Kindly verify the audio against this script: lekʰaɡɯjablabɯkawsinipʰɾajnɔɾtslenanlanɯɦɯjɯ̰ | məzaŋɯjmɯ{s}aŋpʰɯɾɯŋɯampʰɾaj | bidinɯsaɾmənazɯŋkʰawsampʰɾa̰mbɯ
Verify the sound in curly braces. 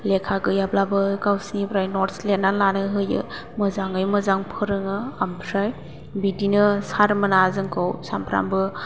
incorrect: z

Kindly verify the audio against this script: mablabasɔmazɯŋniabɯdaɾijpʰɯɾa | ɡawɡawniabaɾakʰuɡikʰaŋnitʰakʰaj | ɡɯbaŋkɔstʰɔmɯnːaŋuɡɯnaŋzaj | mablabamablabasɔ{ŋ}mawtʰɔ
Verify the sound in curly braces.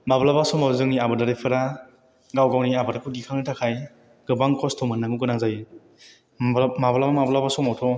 incorrect: none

